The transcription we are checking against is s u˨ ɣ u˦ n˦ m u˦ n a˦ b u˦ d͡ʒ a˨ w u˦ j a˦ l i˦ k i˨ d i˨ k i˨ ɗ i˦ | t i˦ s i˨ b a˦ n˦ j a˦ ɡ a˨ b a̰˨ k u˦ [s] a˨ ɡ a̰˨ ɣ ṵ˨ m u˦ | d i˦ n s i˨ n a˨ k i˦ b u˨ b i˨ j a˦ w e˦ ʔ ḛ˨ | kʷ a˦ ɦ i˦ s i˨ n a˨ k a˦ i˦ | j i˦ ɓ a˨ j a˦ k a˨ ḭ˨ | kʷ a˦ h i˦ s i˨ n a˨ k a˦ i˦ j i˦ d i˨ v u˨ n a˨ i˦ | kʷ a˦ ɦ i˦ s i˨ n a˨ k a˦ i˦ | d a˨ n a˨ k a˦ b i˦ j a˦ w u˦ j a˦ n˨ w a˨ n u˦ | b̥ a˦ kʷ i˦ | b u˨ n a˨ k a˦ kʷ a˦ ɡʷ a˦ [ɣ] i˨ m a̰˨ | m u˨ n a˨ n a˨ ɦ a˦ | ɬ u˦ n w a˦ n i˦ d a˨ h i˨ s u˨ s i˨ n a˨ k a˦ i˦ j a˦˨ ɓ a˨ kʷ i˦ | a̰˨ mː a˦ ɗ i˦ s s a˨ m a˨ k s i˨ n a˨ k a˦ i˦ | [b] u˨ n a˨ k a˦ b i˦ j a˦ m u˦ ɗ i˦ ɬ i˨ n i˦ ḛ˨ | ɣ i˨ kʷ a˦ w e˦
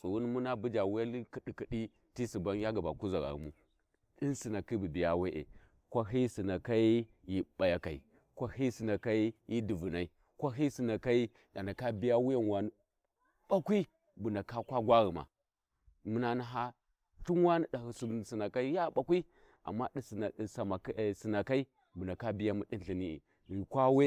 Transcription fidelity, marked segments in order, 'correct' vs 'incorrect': incorrect, correct, correct

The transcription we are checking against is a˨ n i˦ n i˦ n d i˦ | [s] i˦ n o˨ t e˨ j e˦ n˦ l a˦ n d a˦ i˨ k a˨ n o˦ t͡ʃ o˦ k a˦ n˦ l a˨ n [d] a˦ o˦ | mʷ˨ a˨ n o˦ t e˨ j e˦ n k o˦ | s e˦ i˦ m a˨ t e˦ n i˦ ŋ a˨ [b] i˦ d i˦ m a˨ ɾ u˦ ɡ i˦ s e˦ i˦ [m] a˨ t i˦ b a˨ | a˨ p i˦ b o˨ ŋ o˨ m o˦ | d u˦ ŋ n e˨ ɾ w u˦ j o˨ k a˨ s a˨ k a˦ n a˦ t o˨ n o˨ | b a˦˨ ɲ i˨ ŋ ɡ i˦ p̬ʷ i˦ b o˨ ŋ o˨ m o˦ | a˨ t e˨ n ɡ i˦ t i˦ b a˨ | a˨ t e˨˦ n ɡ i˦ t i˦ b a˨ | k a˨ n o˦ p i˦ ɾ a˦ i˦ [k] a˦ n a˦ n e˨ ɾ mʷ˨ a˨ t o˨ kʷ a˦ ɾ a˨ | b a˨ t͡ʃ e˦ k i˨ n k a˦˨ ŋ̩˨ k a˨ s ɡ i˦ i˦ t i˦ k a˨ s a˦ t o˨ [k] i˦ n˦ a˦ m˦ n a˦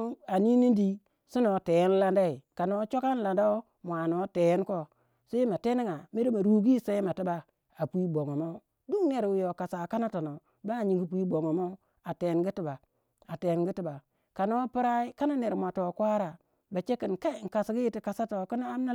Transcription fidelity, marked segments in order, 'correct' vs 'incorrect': correct, correct, incorrect, correct, correct, correct

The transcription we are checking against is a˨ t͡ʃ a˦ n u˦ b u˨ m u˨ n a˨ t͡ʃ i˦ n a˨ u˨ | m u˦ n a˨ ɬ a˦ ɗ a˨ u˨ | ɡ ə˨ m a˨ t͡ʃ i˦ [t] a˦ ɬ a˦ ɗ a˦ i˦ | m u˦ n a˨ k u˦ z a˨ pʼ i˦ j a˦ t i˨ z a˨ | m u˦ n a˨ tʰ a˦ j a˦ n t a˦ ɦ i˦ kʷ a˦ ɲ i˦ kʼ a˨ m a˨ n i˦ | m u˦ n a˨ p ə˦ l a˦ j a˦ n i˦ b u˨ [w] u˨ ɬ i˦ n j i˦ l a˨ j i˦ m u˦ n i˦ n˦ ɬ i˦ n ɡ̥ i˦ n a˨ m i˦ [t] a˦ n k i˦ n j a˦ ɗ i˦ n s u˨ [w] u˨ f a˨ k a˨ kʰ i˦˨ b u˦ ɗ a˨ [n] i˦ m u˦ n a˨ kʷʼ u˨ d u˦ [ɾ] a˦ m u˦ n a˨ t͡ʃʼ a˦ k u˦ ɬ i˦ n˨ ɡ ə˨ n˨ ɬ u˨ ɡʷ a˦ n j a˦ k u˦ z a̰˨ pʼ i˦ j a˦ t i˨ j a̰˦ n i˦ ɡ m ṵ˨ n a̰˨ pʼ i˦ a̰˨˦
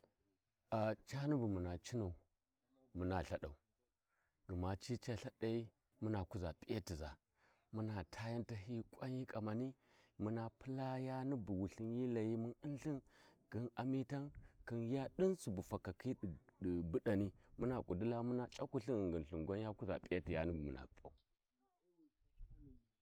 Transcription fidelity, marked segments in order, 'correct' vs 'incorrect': incorrect, correct, correct, incorrect, correct, incorrect

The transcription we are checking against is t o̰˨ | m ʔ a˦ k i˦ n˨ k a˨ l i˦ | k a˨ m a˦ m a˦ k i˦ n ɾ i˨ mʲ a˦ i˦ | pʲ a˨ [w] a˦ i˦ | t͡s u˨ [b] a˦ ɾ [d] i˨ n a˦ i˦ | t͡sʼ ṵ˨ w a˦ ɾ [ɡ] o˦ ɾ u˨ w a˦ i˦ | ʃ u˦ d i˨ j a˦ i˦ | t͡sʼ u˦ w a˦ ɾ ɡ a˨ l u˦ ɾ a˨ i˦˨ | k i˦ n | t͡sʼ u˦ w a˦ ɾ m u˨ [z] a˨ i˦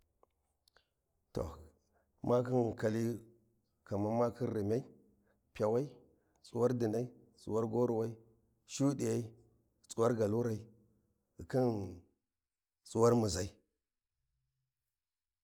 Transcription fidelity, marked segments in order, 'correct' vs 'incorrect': correct, incorrect, correct, correct, correct

